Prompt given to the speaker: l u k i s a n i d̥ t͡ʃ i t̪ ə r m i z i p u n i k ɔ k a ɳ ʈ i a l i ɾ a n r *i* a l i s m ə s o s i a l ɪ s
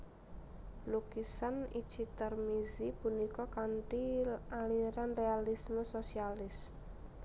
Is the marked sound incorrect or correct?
incorrect